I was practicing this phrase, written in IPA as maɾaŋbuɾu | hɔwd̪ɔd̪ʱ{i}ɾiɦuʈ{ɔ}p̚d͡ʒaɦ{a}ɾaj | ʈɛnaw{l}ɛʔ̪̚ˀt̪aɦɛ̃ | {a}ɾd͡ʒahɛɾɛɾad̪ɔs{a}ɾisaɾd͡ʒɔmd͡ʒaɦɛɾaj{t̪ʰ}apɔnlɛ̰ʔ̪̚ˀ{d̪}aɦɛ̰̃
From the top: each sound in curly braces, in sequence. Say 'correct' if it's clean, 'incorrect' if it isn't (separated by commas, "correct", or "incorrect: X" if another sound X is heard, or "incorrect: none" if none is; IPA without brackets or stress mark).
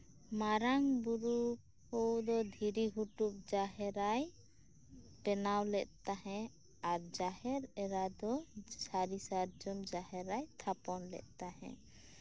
correct, incorrect: u, incorrect: ɛ, correct, correct, correct, correct, incorrect: t̪